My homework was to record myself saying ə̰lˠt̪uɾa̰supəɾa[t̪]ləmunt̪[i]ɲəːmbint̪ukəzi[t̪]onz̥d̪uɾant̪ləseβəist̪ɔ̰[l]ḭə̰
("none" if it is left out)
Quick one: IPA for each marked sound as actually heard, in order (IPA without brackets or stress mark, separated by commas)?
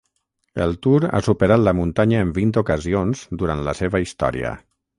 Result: t̪, a, none, ɾ